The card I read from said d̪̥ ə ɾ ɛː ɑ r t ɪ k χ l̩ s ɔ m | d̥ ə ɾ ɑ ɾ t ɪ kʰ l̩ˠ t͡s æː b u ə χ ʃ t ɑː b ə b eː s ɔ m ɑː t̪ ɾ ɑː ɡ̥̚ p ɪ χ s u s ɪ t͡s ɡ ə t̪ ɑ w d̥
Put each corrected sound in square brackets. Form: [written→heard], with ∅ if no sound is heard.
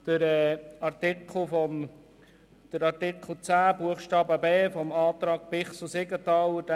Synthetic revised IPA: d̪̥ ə ɾ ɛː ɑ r t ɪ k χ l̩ [s→f] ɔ m | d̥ ə ɾ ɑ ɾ t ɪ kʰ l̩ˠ t͡s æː b u ə χ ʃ t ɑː b ə b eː [s→f] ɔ m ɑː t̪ ɾ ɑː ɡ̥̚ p ɪ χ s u s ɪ [t͡s→∅] ɡ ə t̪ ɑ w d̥